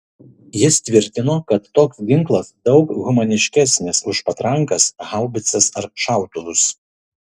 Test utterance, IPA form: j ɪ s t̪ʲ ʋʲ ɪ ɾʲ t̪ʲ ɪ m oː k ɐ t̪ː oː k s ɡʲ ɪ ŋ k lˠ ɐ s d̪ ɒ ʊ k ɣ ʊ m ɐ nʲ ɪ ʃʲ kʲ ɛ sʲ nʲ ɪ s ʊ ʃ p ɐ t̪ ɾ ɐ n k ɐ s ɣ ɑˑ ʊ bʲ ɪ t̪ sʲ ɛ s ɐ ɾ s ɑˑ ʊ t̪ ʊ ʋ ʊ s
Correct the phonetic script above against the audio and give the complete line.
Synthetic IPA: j ɪ s t̪ʲ ʋʲ ɪ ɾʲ t̪ʲ ɪ n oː k ɐ t̪ː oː k s ɡʲ ɪ ŋ k lˠ ɐ s d̪ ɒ ʊ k ɣ ʊ m ɐ nʲ ɪ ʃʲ kʲ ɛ sʲ nʲ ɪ s ʊ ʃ p ɐ t̪ ɾ ɐ ŋ k ɐ s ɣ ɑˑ ʊ bʲ ɪ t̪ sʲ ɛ s ɐ ɾ ʃ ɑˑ ʊ t̪ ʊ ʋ ʊ s